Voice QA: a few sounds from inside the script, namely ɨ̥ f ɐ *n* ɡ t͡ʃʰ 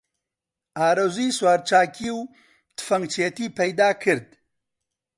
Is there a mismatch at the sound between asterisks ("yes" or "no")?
yes